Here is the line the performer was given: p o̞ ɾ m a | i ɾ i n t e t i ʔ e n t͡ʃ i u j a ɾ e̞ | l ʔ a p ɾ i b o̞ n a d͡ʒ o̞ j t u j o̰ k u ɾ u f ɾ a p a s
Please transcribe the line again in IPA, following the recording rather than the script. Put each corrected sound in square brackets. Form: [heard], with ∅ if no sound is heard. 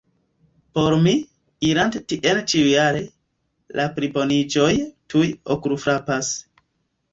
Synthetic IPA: p o̞ ɾ m [i] | i ɾ [a] n t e t i ʔ e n t͡ʃ i u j a ɾ e̞ | l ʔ a p ɾ i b o̞ n [i] d͡ʒ o̞ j t u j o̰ k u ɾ u f ɾ a p a s